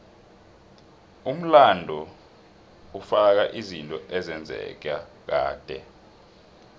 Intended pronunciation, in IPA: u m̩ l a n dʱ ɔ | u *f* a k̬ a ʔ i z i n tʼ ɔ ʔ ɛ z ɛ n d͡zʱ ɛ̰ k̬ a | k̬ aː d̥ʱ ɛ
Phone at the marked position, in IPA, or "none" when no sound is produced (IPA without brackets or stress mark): f